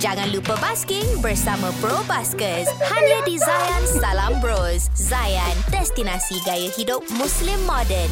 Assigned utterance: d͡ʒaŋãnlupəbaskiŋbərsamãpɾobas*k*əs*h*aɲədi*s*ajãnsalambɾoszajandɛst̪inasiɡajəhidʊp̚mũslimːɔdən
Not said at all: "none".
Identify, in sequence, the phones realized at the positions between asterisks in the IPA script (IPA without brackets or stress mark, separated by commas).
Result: k, h, z